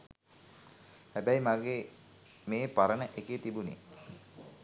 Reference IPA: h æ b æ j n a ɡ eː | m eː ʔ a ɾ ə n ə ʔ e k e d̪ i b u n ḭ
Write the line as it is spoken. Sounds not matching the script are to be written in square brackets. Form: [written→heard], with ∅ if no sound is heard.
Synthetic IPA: h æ b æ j [n→m] a ɡ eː | m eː [ʔ→p] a ɾ ə n ə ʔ e k e [d̪→t̪] i b u n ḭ